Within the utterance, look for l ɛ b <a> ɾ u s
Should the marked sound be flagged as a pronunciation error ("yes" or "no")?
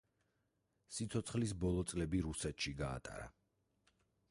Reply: yes